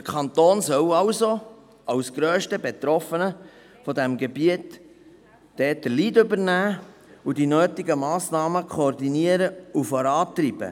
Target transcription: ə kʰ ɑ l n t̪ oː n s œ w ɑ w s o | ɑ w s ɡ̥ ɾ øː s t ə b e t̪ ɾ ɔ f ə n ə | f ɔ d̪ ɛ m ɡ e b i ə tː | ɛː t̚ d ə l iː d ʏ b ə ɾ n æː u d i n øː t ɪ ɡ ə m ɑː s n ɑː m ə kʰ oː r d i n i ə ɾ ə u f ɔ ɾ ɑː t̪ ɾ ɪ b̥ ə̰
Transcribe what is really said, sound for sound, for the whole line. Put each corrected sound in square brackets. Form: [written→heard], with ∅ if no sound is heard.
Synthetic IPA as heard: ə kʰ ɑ [l→∅] n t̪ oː n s œ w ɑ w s o | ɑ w s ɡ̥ ɾ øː [s→ʃ] t ə b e t̪ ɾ ɔ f ə n ə | f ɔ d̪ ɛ m ɡ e b i ə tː | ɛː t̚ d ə l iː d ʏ b ə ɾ n æː u d i n øː t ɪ ɡ ə m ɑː s n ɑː m ə kʰ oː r d i n i ə ɾ ə u f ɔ ɾ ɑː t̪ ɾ [ɪ→i] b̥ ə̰